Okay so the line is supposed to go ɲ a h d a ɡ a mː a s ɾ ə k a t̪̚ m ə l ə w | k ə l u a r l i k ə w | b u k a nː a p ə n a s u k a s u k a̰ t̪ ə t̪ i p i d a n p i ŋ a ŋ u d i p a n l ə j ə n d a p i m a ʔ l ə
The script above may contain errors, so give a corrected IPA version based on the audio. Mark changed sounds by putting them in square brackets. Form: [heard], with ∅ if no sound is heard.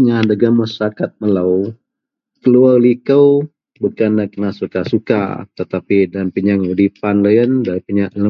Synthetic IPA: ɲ a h d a ɡ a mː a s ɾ [a] k a t̪̚ m ə l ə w | k ə l u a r l i k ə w | b u k a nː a [k] ə n a s u k a s u k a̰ t̪ ə t̪ [a] p i d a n p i [ɲ] a ŋ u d i p a n l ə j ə n d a p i [ɲ] a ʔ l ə